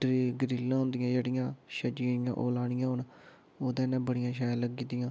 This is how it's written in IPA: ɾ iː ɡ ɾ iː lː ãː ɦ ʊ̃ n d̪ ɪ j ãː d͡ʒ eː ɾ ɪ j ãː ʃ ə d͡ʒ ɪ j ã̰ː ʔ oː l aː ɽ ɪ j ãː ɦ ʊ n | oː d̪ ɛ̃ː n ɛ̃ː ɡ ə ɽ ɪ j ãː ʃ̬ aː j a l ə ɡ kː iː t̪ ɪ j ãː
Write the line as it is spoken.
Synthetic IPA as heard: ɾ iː ɡ ɾ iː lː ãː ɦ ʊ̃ n d̪ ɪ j ãː d͡ʒ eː ɽ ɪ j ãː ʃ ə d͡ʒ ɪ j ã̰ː ʔ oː l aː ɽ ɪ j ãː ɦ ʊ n | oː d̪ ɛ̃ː n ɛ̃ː b ə ɽ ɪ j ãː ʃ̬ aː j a l ə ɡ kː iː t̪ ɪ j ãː